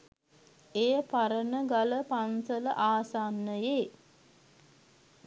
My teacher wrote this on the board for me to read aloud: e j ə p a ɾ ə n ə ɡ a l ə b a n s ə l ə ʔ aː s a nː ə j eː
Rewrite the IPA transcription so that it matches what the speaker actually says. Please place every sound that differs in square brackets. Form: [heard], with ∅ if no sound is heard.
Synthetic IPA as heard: e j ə p a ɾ ə n ə ɡ a l ə [p] a n s ə l ə ʔ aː s a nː ə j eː